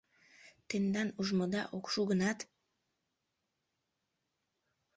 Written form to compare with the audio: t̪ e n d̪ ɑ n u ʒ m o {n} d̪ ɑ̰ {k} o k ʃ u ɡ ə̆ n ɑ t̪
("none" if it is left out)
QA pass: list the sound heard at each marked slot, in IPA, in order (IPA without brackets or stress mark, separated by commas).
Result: none, ʔ